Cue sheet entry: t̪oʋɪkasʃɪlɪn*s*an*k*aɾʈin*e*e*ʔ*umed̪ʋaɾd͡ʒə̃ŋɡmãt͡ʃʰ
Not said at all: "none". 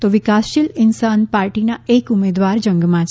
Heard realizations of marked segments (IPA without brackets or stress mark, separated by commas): s, p, a, k